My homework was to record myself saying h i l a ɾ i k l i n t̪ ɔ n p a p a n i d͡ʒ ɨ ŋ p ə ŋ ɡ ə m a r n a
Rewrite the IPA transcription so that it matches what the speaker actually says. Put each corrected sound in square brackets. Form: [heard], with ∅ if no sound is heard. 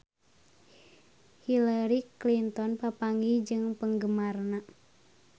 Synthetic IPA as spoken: h i l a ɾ i k l i n t̪ ɔ n p a p a [ŋ] i d͡ʒ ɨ ŋ p ə ŋ ɡ ə m a r n a